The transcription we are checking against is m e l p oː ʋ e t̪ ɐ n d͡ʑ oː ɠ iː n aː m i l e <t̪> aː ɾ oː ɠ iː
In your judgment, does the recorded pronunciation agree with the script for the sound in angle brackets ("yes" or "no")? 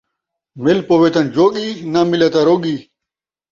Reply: yes